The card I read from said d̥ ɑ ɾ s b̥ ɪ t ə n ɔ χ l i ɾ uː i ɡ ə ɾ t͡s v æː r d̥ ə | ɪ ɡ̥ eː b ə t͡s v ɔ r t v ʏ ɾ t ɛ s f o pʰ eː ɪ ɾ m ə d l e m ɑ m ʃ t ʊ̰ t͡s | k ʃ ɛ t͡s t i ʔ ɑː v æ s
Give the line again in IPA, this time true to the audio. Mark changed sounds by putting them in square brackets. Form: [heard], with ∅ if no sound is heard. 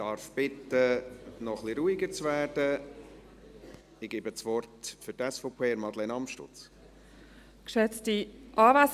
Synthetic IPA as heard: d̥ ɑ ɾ [f] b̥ ɪ t ə n ɔ χ l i ɾ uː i ɡ ə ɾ t͡s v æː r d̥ ə | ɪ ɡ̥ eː b ə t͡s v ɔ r t [f] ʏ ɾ t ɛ s f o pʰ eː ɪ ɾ m [ɑ] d l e [n] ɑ m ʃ t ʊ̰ t͡s | k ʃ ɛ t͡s t i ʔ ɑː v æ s